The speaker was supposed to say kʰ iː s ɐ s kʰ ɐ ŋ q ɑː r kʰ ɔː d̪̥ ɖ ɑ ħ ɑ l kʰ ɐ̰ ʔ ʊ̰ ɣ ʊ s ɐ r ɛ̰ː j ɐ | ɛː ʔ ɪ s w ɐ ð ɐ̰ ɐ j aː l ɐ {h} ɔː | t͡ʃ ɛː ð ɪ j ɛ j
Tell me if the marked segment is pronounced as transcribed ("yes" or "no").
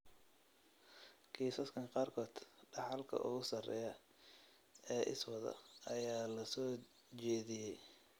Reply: no